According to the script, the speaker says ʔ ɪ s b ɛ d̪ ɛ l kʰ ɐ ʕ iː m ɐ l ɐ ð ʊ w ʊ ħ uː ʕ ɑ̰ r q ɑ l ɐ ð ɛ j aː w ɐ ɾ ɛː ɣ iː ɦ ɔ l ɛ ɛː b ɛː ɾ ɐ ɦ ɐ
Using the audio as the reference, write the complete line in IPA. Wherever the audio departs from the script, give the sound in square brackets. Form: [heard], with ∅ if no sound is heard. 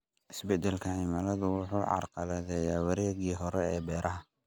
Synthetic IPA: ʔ ɪ s b ɛ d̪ ɛ l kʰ ɐ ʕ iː m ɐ l ɐ ð ʊ w ʊ ħ uː ʕ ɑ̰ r q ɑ l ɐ ð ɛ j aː w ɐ ɾ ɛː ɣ iː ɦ ɔ [ɾ] ɛ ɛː b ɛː ɾ ɐ ɦ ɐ